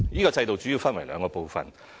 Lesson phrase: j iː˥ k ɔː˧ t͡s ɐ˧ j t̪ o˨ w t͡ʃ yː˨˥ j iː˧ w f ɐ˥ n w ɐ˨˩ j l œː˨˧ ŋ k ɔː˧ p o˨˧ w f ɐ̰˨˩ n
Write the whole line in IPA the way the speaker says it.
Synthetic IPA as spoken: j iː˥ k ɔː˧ t͡s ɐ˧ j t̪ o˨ w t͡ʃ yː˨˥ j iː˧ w f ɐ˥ n w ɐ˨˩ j l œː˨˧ ŋ k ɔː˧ p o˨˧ w f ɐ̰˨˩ n

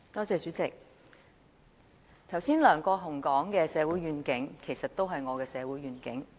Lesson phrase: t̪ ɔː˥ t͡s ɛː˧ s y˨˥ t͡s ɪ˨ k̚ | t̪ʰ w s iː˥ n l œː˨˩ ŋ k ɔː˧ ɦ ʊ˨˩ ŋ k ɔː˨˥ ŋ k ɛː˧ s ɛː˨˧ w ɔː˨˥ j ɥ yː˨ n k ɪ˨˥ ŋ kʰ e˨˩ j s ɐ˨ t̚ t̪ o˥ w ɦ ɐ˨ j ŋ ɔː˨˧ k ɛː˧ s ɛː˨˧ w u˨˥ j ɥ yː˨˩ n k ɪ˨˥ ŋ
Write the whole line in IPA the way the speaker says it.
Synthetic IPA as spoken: t̪ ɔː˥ t͡s ɛː˧ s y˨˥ t͡s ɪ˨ k̚ | t̪ʰ w s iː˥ n l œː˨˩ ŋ k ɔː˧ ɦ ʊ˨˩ ŋ k ɔː˨˥ ŋ k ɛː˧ s ɛː˨˧ w uː˨˥ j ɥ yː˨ n k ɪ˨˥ ŋ kʰ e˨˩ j s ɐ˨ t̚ t̪ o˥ w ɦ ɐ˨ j ŋ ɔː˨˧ k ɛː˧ s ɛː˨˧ w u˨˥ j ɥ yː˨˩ n k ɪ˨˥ ŋ

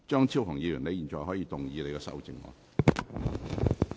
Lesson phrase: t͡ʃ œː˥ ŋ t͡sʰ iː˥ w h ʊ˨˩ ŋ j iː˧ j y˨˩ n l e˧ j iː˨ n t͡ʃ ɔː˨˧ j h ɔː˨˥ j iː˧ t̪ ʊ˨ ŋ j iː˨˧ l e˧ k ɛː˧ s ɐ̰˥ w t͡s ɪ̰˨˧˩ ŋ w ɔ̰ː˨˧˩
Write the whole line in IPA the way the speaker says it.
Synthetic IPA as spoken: t͡ʃ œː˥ ŋ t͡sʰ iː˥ w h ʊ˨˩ ŋ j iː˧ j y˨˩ n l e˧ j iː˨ n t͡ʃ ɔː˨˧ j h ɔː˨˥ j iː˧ t̪ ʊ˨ ŋ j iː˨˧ l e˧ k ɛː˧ s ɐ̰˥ w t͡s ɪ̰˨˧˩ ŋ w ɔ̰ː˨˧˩

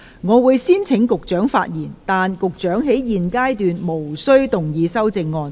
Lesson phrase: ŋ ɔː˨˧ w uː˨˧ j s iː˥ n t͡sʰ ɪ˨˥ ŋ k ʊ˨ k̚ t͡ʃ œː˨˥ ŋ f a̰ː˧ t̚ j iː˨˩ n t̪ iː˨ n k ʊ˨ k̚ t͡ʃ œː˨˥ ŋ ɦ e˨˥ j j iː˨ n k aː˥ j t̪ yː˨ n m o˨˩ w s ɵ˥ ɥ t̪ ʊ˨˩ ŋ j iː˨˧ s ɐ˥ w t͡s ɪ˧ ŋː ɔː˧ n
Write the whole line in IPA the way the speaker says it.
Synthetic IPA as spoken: ŋ ɔː˨˧ w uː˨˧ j s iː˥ n t͡sʰ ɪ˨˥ ŋ k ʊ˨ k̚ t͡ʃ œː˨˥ ŋ f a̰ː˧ t̚ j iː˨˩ n t̪ aː˨ n k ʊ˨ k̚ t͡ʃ œː˨˥ ŋ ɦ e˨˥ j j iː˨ n k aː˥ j t̪ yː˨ n m o˨˩ w s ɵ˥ ɥ t̪ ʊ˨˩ ŋ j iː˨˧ s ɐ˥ w t͡s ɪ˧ ŋː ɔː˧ n

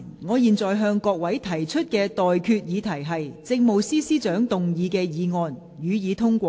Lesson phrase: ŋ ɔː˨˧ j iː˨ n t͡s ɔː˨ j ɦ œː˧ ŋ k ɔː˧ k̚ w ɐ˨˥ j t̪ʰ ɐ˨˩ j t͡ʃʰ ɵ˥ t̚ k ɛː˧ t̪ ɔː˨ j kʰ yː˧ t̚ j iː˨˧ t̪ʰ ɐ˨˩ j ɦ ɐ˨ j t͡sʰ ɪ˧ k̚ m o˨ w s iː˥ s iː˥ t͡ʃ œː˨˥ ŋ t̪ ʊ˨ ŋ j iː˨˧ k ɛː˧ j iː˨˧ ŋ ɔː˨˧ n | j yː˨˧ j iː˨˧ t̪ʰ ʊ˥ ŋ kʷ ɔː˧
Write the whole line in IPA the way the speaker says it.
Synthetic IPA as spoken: ŋ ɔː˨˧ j iː˨ n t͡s ɔː˨ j ɦ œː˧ ŋ k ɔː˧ k̚ w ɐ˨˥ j t̪ʰ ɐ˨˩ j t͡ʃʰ ɵ˥ t̚ k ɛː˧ t̪ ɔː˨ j kʰ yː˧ t̚ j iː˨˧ t̪ʰ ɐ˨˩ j ɦ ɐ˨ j t͡s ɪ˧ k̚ m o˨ w s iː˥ s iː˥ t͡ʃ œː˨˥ ŋ t̪ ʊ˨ ŋ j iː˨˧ k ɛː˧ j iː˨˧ ŋ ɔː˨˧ n | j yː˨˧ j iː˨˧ t̪ʰ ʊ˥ ŋ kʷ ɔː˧

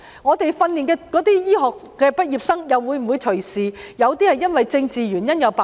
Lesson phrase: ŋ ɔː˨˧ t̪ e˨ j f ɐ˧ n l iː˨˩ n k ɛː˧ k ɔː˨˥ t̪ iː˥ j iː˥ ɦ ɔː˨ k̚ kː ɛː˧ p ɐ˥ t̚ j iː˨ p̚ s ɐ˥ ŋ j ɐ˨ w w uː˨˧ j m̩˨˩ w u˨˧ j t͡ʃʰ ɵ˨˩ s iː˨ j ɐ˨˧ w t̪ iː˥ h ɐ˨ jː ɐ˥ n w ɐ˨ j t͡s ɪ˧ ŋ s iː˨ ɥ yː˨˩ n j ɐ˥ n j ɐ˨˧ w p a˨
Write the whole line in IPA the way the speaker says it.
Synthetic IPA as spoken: ŋ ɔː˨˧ t̪ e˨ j f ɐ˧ n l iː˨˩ n k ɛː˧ k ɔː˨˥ t̪ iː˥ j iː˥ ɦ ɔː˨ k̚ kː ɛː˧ p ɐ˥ t̚ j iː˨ p̚ s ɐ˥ ŋ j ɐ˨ w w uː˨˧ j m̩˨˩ w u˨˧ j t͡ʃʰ ɵ˨˩ s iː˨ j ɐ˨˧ w t̪ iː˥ h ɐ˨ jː ɐ˥ n w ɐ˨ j t͡s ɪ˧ ŋ t͡s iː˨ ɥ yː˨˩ n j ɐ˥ n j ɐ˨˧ w p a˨

